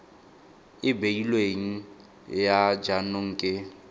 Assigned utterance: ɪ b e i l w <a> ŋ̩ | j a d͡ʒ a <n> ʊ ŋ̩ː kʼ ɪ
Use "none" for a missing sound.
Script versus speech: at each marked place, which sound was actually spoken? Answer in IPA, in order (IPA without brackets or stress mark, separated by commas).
e, n